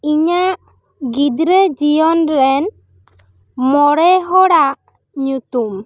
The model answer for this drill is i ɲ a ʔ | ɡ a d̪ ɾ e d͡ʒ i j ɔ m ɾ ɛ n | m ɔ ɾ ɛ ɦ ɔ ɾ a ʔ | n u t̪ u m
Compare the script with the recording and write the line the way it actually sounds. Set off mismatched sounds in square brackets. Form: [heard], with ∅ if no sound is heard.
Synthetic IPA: i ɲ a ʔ | ɡ [i] d̪ ɾ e d͡ʒ i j ɔ [n] ɾ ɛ n | m ɔ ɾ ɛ ɦ ɔ [ɽ] a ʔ | [ɲ] u t̪ u m

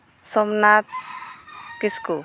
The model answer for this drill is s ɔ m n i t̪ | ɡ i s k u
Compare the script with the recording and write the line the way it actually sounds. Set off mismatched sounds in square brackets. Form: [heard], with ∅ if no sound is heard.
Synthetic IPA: s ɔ m n [a] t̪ | [k] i s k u

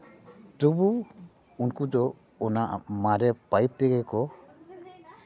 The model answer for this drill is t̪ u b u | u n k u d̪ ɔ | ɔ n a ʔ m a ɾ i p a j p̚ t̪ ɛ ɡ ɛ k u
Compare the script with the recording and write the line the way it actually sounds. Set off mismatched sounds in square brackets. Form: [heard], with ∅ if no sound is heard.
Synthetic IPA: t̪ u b u | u n k u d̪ ɔ | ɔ n a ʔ m a ɾ [ɛ] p a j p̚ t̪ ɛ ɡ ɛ k [ɔ]

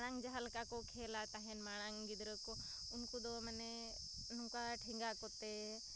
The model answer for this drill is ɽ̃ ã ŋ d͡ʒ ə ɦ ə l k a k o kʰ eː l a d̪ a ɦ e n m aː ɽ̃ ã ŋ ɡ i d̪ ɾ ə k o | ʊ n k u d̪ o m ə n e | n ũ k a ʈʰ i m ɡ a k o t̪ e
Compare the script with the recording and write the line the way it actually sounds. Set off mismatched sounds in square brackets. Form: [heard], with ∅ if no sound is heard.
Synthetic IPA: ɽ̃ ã ŋ d͡ʒ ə ɦ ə l k a k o kʰ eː l a [t̪] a ɦ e n m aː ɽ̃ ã ŋ ɡ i d̪ ɾ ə k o | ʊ n k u d̪ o m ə n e | n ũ k a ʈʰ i [ŋ] ɡ a k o t̪ e

